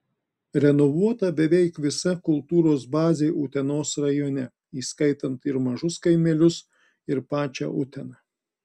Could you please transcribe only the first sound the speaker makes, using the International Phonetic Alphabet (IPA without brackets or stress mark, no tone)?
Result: ɾʲ